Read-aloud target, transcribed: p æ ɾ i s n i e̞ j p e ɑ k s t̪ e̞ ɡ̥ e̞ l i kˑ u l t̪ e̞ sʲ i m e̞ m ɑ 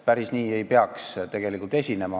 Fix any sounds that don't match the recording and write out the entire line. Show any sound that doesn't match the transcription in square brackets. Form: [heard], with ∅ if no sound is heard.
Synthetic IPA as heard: p æ ɾ i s n [iː] e̞ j p e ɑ k s t̪ e̞ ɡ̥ e̞ l i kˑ u l t̪ e̞ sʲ i [n] e̞ m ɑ

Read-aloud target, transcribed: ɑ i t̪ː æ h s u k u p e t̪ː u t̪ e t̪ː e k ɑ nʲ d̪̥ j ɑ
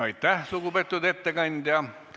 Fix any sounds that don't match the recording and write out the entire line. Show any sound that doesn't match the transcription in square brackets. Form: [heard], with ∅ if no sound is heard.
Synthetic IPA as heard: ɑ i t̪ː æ h s u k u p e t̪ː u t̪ e t̪ː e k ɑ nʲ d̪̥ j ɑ

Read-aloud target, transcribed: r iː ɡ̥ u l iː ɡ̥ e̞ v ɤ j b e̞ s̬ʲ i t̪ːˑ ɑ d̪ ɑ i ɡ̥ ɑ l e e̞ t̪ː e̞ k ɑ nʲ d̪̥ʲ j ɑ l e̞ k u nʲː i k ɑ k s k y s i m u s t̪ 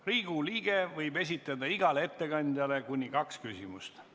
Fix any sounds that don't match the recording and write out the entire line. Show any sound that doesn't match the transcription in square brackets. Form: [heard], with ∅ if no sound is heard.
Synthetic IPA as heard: r iː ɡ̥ u l iː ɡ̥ e̞ v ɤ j b e̞ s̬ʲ i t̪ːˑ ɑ d̪ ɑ i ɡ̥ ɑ l e e̞ t̪ː e̞ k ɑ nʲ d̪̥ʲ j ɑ l e̞ k u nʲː i k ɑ k s k y s i m u s t̪

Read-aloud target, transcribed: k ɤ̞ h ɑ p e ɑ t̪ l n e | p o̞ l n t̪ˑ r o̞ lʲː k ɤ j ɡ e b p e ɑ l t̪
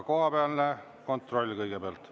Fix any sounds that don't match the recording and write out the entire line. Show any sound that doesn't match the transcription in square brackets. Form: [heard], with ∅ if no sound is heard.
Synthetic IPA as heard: k [o̞] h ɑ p e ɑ [∅] l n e | [k] o̞ [∅] n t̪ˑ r o̞ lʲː k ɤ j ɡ e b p e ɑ l t̪

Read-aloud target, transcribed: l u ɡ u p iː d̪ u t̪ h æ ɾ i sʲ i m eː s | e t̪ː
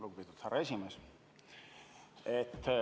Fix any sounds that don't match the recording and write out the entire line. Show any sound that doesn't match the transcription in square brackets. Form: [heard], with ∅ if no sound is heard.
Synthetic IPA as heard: l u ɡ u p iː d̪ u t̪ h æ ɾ [e] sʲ i m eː s | e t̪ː

